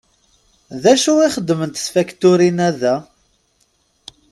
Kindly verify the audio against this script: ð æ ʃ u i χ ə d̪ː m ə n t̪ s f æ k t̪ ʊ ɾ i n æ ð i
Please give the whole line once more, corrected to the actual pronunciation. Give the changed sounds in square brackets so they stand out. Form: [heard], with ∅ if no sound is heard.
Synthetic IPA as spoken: ð æ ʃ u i χ ə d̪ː m ə n t̪ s f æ k t̪ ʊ ɾ i n æ ð [æ]